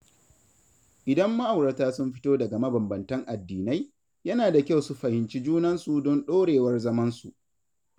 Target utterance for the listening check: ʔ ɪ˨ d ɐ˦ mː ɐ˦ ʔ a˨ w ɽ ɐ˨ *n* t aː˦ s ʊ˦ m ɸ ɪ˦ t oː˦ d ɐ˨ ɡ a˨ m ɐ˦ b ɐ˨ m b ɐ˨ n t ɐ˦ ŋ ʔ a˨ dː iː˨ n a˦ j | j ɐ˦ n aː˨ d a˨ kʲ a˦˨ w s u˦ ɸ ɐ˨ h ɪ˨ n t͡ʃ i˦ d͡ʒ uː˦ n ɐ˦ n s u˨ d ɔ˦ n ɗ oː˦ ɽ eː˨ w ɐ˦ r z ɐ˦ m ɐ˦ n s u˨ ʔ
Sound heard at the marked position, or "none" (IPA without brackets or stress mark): none